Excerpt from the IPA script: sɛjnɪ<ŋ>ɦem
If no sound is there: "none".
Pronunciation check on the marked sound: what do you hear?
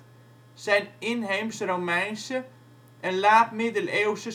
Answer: n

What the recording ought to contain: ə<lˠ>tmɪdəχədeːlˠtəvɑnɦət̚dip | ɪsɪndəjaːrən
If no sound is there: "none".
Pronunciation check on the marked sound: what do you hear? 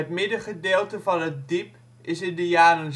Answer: none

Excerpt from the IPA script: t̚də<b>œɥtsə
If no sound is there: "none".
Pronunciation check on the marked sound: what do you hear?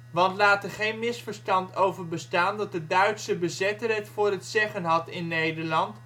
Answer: d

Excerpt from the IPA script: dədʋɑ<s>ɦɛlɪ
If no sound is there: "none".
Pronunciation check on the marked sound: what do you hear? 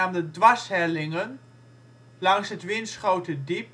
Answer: s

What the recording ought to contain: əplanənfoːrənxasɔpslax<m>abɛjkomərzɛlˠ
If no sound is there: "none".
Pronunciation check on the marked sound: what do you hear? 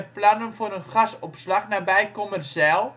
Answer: n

